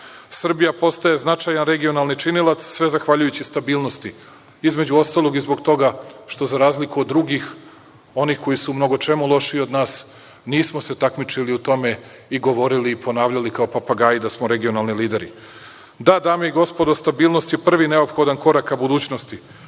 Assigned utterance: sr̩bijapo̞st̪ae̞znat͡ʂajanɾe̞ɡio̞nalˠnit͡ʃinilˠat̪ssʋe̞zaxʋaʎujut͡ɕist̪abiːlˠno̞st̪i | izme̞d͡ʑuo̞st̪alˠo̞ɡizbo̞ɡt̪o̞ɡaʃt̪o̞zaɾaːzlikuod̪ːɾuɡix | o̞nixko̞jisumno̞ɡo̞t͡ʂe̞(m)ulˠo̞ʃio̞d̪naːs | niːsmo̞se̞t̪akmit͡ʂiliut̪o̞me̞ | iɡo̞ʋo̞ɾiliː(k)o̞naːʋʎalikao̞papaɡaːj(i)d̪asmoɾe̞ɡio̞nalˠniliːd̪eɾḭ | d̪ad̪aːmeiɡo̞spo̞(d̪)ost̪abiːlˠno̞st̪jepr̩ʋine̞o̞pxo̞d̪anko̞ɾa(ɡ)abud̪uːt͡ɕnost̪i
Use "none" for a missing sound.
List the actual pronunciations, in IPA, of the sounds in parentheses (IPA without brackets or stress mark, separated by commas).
m, p, i, d̪, k